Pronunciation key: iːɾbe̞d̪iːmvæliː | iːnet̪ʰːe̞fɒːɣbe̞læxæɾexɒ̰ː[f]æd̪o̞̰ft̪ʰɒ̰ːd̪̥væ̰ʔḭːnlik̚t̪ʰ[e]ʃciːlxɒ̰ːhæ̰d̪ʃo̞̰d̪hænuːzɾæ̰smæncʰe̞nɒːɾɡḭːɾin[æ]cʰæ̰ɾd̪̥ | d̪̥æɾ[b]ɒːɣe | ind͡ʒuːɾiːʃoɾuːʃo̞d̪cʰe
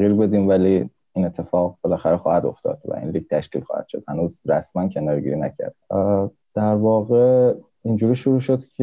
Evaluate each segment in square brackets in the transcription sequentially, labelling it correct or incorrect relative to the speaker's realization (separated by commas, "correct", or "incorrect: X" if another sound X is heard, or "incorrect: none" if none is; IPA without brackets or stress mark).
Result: incorrect: h, incorrect: æ, correct, incorrect: v